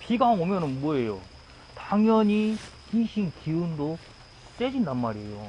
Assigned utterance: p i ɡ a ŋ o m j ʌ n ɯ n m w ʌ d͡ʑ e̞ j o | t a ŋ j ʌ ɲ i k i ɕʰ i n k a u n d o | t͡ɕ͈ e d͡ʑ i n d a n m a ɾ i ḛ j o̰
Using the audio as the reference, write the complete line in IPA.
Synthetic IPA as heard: p i ɡ a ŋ o m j ʌ n ɯ n m w ʌ e̞ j o | t a ŋ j ʌ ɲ i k i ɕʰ i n k i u n d o | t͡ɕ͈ e d͡ʑ i n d a n m a ɾ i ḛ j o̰